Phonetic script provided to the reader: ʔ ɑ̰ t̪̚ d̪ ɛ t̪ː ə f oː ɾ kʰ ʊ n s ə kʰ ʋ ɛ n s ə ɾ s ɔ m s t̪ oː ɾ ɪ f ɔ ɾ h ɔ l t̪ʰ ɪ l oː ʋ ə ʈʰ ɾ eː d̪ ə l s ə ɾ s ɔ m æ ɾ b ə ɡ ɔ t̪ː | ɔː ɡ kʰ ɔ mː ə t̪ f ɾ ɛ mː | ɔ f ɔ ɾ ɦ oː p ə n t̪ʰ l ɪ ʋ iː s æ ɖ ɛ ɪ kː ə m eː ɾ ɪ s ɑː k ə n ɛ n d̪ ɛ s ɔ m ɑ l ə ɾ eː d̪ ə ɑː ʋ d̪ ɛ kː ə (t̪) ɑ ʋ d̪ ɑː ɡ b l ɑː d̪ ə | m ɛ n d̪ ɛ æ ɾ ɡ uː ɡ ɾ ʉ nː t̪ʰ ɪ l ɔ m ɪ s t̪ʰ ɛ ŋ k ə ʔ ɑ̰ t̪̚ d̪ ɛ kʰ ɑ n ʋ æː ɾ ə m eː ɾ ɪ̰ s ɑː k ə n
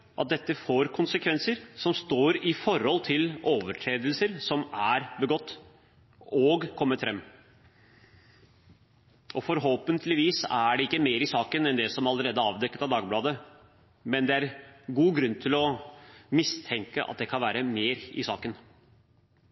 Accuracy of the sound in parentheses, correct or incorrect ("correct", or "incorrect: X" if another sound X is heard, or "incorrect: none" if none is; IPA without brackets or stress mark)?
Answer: correct